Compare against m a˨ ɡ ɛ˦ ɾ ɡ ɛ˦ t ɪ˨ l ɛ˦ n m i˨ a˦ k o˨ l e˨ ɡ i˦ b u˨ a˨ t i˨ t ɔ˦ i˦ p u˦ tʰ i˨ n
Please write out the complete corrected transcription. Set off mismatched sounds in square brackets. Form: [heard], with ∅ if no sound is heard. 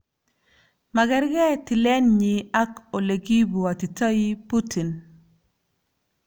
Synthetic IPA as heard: m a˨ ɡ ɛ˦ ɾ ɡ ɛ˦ t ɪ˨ l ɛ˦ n [ɲ] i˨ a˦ k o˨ l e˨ ɡ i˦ b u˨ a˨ t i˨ t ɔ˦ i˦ p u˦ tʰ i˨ n